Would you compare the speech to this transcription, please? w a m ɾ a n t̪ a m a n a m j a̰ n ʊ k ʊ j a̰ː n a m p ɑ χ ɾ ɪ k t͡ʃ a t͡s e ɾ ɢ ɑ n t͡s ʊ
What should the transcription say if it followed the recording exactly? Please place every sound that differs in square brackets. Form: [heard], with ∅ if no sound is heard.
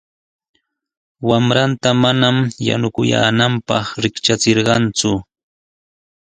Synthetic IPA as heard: w a m ɾ a n t̪ a m a n a m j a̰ n ʊ k ʊ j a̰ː n a m p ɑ χ ɾ ɪ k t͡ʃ a t͡s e ɾ ɢ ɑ n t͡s ʊ